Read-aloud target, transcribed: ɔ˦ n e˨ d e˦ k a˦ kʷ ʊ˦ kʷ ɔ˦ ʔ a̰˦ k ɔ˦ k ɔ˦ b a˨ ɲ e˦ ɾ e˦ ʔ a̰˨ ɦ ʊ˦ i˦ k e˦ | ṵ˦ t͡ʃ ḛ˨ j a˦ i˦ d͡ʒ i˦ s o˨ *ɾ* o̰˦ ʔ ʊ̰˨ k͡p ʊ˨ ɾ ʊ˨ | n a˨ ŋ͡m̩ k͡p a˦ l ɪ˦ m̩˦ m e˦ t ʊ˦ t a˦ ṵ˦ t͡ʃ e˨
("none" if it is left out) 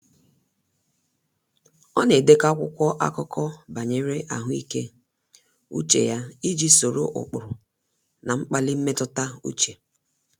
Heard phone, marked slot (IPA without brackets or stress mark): ɾ